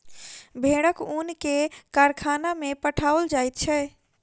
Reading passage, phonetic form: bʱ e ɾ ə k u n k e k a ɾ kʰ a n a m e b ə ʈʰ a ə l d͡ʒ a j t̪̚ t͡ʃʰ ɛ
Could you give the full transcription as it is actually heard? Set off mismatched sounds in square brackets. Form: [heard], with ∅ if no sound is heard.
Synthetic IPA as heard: bʱ e [ɽ] ə k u n k e k a ɾ kʰ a n a m e [p] ə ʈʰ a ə l d͡ʒ a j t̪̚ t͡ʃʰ ɛ